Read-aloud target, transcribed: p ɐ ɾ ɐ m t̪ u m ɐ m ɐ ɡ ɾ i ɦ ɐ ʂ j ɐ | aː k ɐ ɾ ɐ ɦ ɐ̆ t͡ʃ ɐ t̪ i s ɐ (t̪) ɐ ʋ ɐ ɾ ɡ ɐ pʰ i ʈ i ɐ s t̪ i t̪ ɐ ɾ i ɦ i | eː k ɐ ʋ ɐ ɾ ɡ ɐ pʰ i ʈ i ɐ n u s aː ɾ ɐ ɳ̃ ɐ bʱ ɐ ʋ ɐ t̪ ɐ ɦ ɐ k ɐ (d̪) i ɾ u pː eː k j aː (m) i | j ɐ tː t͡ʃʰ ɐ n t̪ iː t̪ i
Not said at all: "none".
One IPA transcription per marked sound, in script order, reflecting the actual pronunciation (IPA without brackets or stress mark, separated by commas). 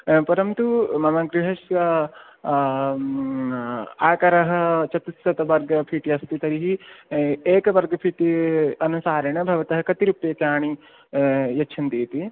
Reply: t̪, t̪, ɳ